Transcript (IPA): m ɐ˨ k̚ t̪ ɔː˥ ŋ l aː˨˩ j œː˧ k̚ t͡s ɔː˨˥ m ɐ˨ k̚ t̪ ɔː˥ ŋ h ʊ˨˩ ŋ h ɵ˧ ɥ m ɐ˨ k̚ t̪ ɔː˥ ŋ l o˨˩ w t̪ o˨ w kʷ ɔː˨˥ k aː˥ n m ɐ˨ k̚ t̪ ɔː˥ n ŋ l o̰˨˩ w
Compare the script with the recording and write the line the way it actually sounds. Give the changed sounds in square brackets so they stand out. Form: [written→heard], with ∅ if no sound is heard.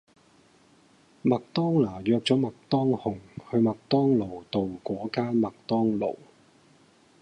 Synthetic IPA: m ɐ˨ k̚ t̪ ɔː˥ ŋ l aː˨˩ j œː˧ k̚ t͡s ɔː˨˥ m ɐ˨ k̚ t̪ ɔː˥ ŋ h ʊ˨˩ ŋ h ɵ˧ ɥ m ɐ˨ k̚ t̪ ɔː˥ ŋ l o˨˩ w t̪ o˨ w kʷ ɔː˨˥ k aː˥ n m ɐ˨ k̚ t̪ ɔː˥ [n→∅] ŋ l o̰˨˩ w